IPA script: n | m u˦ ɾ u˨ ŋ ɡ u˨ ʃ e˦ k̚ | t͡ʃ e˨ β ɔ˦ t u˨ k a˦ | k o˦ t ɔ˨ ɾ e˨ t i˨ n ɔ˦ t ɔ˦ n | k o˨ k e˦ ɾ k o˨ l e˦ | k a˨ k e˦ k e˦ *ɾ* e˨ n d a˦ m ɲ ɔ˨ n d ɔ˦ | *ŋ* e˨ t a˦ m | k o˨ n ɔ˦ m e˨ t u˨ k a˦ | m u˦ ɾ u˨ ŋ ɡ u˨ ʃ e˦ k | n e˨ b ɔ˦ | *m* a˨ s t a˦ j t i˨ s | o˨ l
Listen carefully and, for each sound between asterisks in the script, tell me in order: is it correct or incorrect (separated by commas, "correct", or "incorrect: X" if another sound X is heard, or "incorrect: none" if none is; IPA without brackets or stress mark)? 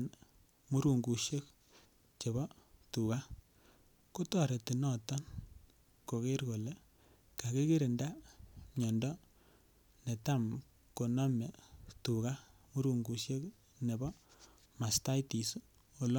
correct, incorrect: n, correct